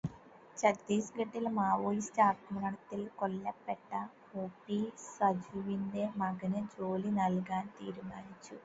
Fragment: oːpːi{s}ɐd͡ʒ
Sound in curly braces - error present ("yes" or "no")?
no